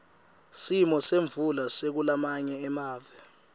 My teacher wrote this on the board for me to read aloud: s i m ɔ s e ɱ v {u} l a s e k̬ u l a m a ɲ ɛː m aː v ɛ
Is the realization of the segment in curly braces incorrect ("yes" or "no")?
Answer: no